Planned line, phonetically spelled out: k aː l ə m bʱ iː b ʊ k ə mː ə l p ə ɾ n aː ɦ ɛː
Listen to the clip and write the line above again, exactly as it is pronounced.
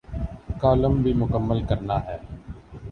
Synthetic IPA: k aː l ə m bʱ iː m ʊ k ə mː ə l k ə ɾ n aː ɦ ɛː

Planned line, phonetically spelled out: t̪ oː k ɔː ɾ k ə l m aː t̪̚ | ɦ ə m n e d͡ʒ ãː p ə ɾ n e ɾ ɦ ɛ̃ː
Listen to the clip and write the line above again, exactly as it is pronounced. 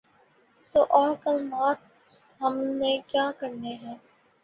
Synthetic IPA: t̪ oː ʔ ɔː ɾ k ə l m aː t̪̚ | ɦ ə m n e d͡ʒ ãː k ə ɾ n e ɦ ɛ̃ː

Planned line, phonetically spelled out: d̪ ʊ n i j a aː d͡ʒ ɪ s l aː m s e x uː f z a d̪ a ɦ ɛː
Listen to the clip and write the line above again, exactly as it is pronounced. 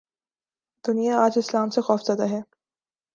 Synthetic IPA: d̪ ʊ n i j a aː d͡ʒ ɪ s l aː m s e x ɔː f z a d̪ a ɦ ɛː

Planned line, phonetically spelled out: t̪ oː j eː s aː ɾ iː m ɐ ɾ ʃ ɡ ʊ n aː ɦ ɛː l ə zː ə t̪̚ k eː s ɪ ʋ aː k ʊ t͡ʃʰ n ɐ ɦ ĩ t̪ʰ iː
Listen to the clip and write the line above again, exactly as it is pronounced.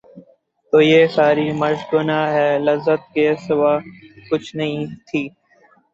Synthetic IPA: t̪ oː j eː s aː ɾ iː m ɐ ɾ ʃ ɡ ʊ n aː ɦ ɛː l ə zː ə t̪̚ k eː s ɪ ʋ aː k ʊ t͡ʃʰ n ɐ ɦ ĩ t̪ʰ iː

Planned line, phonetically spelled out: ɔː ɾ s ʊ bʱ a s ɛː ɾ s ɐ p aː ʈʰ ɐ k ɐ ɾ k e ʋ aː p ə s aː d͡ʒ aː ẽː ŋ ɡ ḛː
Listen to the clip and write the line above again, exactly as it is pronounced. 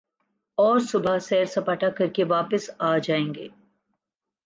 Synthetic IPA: ɔː ɾ s ʊ bʱ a s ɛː ɾ s ɐ p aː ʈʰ a k ɐ ɾ k e ʋ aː p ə s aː d͡ʒ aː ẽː ŋ ɡ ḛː

